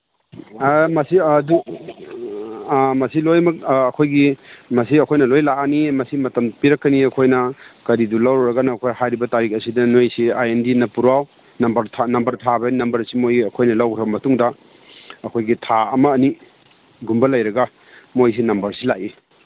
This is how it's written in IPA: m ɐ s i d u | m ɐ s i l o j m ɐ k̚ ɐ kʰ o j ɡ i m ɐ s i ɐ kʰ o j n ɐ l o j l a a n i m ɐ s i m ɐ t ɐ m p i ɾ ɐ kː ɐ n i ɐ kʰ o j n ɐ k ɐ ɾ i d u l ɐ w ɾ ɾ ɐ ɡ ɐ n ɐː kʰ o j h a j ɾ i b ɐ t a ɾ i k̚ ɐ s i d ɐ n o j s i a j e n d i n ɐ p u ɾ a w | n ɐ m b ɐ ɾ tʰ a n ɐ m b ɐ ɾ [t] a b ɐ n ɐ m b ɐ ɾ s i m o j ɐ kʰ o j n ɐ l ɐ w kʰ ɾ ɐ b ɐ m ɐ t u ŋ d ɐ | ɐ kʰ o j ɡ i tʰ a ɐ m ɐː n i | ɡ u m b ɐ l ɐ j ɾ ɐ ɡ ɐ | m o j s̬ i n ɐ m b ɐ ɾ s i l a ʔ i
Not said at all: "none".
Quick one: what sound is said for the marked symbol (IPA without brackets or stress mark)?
tʰ